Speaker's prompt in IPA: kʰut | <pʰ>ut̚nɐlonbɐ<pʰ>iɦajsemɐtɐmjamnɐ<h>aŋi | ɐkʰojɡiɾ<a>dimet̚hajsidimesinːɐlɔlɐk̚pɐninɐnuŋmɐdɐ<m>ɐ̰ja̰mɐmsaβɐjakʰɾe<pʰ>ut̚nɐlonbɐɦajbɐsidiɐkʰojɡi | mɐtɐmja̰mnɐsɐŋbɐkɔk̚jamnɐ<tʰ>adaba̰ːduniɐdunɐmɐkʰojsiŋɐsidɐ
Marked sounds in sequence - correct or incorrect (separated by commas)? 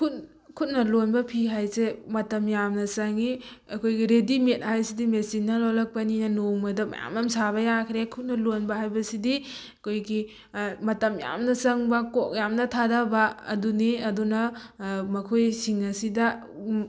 incorrect, correct, incorrect, incorrect, correct, incorrect, correct